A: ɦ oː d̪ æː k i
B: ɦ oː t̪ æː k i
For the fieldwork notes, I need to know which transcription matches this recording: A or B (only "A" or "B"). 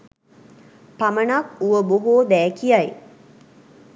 A